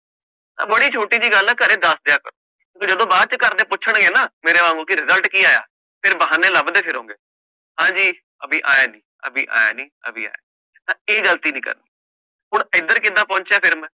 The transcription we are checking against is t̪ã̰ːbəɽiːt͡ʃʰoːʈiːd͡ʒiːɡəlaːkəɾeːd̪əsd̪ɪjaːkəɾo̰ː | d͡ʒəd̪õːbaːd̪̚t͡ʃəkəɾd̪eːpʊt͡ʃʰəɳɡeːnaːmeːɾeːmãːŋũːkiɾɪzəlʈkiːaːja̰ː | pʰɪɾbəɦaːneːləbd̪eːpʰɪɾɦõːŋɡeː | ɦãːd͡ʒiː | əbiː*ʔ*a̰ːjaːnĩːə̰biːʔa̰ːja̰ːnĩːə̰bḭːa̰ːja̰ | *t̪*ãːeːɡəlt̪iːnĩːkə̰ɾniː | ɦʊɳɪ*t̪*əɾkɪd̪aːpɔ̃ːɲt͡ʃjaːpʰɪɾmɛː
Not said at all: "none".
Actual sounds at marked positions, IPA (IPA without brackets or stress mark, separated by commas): ʔ, t̪, d̪